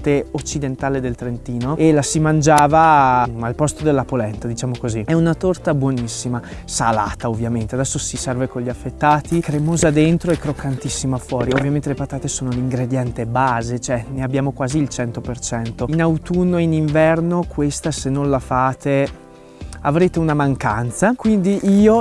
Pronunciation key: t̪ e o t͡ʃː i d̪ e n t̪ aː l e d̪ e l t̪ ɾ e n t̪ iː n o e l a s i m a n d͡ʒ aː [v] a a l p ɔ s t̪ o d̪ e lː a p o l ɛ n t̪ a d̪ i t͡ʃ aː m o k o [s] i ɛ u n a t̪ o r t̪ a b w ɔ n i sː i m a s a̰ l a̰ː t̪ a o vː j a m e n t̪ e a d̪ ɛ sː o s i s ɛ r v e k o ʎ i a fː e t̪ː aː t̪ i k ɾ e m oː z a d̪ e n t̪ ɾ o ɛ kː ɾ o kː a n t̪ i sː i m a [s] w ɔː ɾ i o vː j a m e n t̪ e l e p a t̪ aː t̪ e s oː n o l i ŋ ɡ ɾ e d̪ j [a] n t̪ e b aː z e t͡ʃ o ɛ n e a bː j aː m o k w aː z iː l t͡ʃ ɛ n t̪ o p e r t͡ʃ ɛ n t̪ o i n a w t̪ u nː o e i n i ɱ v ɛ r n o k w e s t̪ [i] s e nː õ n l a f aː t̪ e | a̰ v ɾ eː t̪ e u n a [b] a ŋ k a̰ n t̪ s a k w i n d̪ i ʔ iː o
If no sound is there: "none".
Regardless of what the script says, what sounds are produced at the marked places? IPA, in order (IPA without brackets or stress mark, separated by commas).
v, z, f, ɛ, a, m